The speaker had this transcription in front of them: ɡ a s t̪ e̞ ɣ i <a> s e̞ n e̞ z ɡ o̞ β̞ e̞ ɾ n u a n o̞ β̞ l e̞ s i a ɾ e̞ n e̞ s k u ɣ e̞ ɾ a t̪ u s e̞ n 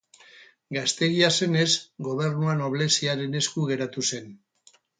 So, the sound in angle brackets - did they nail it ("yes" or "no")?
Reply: yes